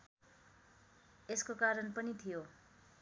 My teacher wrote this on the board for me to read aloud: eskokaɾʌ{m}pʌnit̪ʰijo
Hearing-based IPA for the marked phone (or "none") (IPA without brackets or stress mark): n